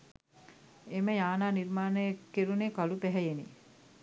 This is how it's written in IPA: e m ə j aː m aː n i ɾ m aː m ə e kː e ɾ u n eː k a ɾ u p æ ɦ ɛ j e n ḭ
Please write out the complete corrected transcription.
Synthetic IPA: e m ə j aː n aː n i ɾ m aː n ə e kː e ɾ u n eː k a l u p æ ɦ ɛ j e n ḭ